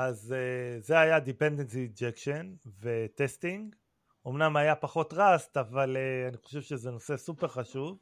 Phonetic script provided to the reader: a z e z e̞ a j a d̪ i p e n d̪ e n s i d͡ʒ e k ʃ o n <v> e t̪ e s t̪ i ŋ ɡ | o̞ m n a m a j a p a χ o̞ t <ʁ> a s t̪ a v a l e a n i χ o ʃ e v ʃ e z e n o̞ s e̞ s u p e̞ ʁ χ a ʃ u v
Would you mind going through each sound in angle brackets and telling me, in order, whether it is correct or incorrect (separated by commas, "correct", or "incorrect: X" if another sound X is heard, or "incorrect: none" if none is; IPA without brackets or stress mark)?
correct, correct